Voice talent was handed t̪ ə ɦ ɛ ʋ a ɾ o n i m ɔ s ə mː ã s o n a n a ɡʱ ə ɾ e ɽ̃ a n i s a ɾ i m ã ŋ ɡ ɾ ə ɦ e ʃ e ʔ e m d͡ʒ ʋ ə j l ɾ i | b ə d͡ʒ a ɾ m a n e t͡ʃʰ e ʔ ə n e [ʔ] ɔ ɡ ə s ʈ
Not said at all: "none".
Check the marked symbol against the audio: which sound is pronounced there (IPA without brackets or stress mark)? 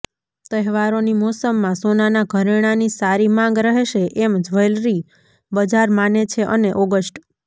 ʔ